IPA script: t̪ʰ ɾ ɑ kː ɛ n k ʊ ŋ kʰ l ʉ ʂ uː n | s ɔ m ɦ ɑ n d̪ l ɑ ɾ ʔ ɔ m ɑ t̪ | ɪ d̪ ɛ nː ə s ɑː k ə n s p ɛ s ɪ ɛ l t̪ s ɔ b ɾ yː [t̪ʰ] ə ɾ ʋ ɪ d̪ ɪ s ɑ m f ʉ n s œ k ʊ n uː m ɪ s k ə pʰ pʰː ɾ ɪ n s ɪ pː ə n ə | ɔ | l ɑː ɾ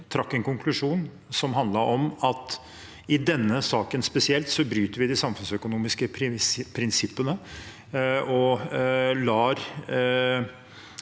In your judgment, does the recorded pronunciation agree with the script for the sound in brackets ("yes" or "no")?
no